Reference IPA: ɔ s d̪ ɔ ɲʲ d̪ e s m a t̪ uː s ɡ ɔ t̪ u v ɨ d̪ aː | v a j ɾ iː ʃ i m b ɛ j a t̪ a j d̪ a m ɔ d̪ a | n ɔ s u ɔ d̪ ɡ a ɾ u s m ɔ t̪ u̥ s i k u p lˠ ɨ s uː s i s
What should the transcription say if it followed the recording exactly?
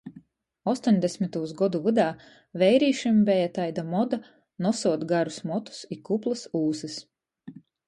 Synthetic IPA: ɔ s t̪ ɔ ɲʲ d̪ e s m i t̪ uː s ɡ ɔ d̪ u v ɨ d̪ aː | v ɛ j ɾ iː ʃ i m b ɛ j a t̪ a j d̪ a m ɔ d̪ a | n ɔ s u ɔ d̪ ɡ a ɾ u s m ɔ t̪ u̥ s i k u p lˠ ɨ s uː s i s